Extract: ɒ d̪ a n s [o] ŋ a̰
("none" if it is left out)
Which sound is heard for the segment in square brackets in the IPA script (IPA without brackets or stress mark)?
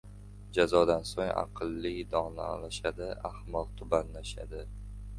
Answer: o